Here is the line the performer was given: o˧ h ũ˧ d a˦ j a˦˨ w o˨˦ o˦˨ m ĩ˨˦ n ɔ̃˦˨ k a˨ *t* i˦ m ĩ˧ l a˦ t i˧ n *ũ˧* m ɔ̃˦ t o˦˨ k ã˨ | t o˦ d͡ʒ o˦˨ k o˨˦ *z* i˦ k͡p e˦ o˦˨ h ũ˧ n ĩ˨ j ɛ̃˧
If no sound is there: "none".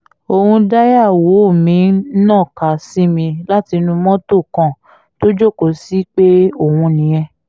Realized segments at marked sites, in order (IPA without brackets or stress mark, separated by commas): s, ũ˧, s